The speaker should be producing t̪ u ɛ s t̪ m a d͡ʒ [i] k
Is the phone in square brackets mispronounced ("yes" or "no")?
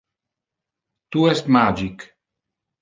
no